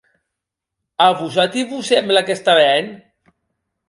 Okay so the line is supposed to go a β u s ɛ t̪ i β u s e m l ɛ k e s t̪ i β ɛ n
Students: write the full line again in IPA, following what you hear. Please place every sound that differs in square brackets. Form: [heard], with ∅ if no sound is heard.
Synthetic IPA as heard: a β u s [a] t̪ i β u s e m l [a] k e s t̪ [a] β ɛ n